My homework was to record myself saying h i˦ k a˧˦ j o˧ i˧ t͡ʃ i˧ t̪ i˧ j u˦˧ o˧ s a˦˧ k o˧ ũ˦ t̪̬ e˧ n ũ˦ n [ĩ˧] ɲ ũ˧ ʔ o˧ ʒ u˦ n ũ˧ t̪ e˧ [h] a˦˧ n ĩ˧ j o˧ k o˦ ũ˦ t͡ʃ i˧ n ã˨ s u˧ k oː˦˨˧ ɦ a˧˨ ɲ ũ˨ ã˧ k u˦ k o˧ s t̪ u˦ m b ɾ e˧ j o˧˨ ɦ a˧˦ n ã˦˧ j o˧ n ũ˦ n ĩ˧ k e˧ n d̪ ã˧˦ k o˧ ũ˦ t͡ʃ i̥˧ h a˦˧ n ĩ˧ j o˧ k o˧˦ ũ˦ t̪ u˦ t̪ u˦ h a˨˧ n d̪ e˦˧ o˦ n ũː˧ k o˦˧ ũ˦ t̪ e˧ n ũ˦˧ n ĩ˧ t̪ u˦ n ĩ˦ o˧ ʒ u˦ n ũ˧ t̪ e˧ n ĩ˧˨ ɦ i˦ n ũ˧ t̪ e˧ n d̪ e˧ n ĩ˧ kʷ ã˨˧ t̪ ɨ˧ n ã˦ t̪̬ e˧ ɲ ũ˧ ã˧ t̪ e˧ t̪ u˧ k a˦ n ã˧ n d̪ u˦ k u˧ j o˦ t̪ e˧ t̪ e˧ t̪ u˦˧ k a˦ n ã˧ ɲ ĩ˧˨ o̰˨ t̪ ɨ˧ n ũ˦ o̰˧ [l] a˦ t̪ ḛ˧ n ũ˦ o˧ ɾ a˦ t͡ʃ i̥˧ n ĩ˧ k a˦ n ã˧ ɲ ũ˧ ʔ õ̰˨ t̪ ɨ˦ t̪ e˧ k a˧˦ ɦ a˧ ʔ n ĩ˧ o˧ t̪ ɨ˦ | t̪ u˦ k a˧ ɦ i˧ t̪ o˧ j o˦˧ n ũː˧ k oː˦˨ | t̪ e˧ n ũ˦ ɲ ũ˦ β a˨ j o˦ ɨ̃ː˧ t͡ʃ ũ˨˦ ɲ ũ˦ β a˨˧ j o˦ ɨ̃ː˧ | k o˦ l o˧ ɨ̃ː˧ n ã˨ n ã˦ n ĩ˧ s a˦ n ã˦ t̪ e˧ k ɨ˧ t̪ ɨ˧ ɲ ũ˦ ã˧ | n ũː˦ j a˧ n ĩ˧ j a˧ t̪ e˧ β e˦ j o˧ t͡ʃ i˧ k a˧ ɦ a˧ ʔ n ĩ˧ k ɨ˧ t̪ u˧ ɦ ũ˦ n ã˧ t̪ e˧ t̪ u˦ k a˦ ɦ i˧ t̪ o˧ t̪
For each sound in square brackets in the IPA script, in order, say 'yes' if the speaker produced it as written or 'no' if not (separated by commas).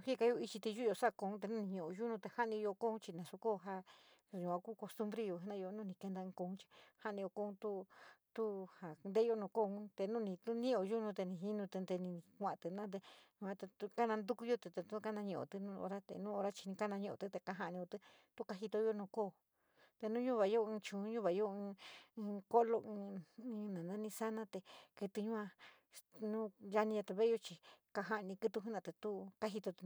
yes, yes, no